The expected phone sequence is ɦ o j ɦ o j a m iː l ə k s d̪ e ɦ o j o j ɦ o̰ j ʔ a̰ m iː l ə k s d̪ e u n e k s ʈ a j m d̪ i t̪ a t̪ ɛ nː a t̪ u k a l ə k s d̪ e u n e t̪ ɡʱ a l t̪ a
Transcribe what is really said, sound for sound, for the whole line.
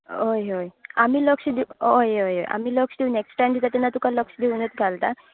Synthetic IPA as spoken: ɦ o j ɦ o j a m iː l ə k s d̪ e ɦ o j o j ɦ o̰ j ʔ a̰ m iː l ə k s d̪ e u n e k s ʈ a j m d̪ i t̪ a t̪ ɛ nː a t̪ u k a l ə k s d̪ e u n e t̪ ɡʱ a l t̪ a